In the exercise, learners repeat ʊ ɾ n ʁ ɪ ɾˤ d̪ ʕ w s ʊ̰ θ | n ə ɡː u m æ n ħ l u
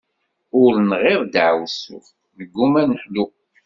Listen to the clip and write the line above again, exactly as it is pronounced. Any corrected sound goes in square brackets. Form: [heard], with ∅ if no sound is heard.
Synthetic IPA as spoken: ʊ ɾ n ʁ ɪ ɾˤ d̪ ʕ w s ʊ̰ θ | n ə ɡː u m æ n ħ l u